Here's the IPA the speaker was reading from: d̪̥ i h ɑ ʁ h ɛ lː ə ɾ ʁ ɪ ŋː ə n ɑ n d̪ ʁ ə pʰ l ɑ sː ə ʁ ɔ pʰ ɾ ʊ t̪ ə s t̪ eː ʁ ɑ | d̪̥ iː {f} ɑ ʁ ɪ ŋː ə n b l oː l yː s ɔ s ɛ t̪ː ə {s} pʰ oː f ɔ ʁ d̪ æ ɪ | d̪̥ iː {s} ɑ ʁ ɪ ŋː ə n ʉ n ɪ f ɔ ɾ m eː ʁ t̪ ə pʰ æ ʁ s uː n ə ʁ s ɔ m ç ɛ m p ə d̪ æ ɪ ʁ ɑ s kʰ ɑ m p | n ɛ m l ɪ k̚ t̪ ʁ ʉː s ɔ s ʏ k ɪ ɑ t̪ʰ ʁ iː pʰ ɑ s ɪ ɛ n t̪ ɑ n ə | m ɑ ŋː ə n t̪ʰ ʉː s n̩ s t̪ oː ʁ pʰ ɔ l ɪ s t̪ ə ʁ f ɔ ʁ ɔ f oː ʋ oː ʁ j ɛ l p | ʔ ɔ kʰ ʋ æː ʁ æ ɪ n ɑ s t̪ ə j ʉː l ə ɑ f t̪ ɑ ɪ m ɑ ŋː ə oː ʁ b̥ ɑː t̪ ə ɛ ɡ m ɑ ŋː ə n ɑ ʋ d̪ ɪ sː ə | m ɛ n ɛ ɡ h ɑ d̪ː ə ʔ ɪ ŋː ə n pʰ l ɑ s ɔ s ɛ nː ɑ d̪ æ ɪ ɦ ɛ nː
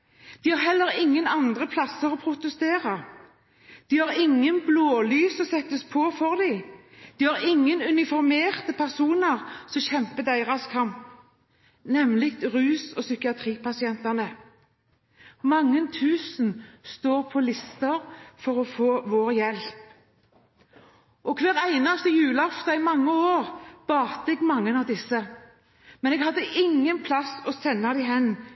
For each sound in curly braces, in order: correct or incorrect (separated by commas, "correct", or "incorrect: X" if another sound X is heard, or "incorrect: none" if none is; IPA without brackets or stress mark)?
incorrect: h, correct, incorrect: h